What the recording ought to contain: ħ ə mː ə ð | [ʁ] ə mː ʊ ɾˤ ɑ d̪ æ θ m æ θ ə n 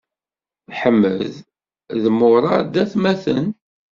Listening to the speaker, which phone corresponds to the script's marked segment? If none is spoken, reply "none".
ð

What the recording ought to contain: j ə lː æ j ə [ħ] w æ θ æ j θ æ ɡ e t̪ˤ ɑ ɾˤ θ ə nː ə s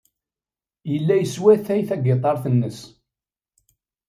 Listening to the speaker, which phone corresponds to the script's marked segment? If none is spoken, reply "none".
s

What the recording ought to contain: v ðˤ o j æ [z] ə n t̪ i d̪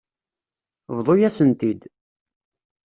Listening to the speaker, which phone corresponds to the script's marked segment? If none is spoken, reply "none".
s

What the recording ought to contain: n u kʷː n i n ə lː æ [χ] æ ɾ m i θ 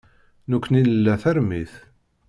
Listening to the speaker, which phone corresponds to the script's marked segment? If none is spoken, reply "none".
θ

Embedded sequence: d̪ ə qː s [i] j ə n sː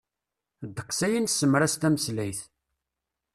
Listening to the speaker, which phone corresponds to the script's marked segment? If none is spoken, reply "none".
æ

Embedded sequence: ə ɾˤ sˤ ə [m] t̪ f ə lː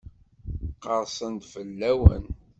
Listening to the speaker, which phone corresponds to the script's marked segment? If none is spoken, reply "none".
n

